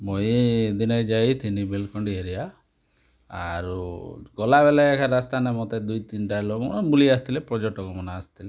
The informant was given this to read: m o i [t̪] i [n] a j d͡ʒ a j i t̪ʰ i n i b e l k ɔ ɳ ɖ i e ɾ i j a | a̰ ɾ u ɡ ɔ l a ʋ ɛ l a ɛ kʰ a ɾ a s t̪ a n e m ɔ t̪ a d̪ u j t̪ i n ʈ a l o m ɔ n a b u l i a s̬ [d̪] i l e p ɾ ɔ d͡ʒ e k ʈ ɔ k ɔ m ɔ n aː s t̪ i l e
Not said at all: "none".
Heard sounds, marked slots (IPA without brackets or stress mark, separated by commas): d̪, n, t̪